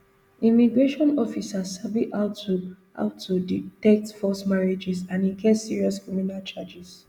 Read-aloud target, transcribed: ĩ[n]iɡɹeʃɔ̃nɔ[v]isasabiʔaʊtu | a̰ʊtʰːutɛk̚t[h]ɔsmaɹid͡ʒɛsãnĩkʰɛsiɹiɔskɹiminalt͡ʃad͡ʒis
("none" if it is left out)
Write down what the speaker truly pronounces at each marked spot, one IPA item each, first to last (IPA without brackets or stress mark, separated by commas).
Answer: m, f, f